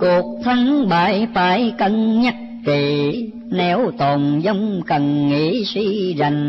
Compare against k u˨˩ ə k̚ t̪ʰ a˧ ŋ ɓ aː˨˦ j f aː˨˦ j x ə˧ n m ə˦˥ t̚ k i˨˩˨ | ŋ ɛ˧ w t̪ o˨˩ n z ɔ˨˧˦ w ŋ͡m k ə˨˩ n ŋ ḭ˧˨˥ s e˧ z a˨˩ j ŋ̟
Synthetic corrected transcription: k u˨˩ ə k̚ t̪ʰ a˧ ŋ ɓ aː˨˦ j f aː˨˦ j k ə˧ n ɲ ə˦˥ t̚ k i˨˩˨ | n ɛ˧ w t̪ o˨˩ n z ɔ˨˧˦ w ŋ͡m k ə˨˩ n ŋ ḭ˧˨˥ s i˧ z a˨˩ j ŋ̟